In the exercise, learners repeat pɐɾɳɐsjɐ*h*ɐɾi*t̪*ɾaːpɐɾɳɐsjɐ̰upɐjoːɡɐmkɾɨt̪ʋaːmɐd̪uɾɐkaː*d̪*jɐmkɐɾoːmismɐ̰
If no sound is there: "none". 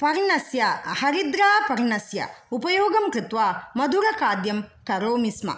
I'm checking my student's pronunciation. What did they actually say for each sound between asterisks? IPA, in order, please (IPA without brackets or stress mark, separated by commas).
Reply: h, d̪, d̪